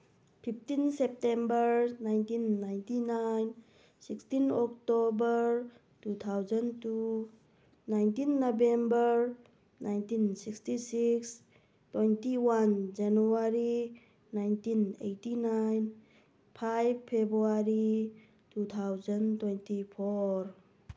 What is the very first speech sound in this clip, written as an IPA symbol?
pʰ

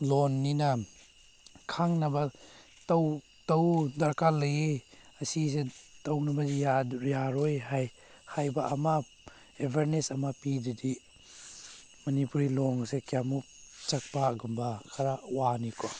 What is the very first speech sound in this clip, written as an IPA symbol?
l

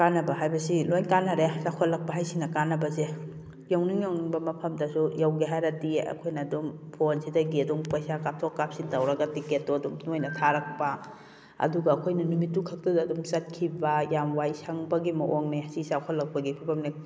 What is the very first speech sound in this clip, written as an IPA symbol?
k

